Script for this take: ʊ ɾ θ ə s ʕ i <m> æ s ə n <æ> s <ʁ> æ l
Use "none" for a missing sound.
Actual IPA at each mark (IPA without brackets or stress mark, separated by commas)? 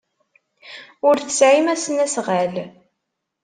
m, æ, ʁ